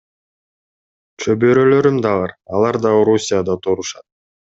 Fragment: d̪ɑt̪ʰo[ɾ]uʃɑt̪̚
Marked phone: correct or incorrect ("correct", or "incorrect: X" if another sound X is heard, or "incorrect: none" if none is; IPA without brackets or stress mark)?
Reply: correct